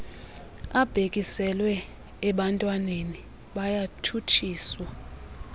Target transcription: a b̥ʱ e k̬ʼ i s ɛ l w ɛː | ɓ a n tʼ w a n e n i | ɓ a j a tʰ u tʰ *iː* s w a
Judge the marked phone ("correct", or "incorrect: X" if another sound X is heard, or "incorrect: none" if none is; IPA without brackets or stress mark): correct